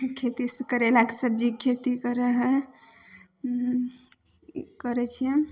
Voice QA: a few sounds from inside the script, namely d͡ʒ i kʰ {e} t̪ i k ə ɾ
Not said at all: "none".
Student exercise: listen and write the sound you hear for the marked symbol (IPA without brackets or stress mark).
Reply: e